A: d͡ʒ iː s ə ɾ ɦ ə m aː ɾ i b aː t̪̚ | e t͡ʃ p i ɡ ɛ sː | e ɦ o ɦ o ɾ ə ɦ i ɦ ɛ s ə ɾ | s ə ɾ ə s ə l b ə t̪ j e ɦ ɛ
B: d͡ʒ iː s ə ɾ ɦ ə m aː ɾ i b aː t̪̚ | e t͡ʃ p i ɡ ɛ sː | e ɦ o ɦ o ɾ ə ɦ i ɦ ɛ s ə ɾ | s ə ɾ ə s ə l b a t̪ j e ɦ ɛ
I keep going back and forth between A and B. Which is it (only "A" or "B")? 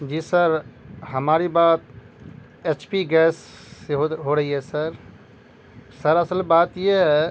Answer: B